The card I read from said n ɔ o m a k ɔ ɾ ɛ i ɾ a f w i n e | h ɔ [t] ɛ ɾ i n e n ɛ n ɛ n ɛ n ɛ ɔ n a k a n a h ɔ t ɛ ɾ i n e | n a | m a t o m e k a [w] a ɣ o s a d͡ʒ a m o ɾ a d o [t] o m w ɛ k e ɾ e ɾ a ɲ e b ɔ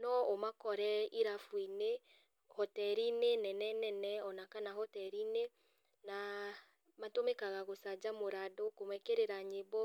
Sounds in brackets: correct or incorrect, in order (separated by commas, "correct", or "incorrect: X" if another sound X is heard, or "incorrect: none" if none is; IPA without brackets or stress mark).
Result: correct, incorrect: ɣ, incorrect: k